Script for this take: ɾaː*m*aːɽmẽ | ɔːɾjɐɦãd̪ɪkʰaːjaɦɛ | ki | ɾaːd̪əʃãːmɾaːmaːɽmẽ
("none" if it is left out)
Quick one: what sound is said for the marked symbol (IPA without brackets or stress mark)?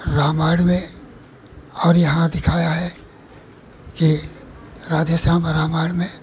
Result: m